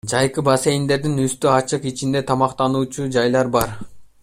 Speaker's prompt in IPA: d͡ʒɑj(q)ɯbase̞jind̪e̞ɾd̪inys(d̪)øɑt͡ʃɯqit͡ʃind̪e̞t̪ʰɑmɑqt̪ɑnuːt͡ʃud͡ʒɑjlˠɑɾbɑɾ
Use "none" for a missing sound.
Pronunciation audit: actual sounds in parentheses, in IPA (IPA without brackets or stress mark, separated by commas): q, t̪